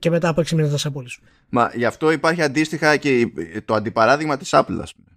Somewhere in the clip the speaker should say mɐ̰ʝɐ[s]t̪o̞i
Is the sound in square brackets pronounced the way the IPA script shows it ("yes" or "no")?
no